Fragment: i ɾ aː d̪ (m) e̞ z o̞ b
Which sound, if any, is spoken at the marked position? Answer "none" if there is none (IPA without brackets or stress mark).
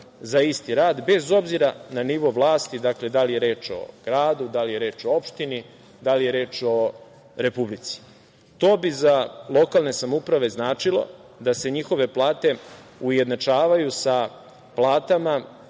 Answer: b